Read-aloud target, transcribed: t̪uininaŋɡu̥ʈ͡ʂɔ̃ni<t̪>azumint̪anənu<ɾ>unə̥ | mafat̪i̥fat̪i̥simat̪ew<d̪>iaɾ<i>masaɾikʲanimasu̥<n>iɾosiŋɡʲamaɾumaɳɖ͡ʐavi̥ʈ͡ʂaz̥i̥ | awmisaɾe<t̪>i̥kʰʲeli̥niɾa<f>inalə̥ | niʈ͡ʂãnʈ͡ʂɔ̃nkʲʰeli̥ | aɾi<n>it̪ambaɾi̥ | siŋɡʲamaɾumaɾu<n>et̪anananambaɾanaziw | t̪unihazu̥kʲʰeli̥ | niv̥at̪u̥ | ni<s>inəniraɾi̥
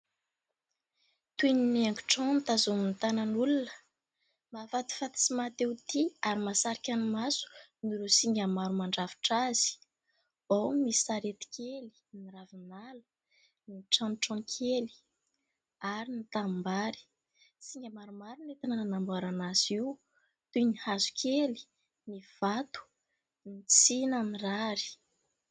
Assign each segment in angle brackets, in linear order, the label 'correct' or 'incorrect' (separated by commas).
correct, incorrect, incorrect, correct, correct, correct, incorrect, correct, correct, incorrect